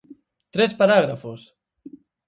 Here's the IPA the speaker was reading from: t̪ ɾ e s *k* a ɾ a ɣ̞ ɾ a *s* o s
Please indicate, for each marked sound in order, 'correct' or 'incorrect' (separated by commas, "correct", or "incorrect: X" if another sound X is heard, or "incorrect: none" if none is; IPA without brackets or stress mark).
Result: incorrect: p, incorrect: f